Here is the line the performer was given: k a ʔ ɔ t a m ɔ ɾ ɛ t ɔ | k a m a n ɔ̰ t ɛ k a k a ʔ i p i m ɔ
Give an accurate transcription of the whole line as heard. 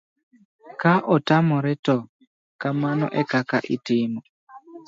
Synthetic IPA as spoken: k a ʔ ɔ t a m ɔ ɾ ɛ t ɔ | k a m a n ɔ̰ ʔ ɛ k a k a ʔ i t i m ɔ